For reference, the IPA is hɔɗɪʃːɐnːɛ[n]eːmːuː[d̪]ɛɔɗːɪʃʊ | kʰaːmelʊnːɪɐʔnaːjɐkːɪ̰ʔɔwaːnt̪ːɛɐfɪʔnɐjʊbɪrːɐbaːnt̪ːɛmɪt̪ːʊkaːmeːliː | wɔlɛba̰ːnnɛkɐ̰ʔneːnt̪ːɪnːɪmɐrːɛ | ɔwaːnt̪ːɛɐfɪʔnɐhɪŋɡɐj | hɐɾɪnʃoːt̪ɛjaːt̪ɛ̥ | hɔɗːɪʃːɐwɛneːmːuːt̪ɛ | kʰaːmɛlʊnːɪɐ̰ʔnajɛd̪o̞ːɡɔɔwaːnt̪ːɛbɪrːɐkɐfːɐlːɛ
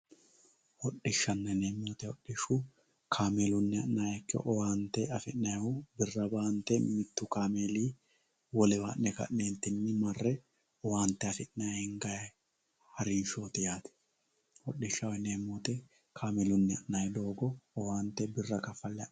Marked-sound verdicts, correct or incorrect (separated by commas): correct, incorrect